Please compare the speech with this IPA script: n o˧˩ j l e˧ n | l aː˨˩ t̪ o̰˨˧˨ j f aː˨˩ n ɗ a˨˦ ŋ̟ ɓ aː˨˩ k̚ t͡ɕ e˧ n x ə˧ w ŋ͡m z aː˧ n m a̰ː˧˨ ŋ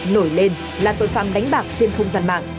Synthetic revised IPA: n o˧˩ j l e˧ n | l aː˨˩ t̪ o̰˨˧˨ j f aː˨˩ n ɗ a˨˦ ŋ̟ ɓ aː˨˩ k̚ t͡ɕ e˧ n x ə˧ w ŋ͡m z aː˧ n m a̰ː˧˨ ŋ